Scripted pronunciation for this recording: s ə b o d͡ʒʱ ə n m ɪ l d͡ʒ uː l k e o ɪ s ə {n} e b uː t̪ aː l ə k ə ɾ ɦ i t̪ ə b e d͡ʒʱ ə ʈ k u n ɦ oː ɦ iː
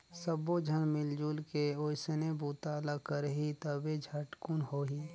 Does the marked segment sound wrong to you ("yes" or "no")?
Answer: no